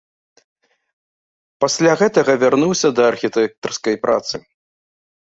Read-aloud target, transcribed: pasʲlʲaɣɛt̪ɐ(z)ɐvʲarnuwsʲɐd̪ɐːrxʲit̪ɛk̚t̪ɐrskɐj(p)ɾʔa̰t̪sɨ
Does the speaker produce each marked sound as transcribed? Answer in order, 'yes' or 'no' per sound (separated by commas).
no, yes